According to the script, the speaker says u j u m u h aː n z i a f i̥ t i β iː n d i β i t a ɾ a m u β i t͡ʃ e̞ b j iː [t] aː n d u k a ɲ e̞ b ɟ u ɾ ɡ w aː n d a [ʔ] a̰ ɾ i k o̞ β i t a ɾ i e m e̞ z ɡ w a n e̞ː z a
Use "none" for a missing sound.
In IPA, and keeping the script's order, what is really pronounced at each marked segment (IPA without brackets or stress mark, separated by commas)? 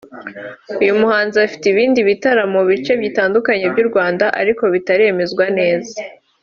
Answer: t, ʔ